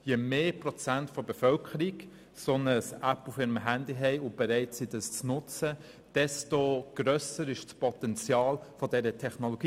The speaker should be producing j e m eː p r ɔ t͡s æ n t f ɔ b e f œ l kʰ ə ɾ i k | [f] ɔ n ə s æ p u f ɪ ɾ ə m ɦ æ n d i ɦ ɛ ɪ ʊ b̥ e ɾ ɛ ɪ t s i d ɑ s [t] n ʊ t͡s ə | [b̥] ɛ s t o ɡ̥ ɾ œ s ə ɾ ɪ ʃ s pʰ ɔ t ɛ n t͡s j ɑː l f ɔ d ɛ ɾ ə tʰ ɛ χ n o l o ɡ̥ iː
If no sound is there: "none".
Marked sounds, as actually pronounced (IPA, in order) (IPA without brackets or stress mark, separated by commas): s, t͡s, d̥